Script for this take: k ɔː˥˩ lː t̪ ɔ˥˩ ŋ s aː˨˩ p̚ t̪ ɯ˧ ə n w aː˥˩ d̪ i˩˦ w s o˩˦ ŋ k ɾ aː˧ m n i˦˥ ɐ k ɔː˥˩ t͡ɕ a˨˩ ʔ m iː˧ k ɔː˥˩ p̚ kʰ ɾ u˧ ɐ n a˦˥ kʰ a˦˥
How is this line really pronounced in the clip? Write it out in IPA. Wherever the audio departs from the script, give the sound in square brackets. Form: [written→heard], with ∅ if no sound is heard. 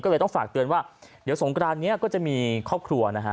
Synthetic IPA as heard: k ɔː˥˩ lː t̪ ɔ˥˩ ŋ [s→f] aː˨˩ [p̚→k̚] t̪ ɯ˧ ə n w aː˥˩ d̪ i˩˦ w s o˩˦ ŋ k ɾ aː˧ m n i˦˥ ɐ k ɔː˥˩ t͡ɕ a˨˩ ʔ m iː˧ [k→kʰ] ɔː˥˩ p̚ kʰ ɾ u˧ ɐ n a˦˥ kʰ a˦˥